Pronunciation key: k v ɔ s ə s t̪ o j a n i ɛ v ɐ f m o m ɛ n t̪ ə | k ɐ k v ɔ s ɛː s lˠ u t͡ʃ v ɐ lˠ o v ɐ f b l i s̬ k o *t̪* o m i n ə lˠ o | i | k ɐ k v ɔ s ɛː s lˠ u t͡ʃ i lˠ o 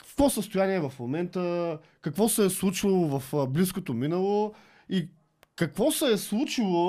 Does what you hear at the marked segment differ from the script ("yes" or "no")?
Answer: no